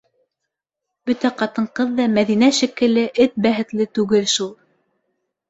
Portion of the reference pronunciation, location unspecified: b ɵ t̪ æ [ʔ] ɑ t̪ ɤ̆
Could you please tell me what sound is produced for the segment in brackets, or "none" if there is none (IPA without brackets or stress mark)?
q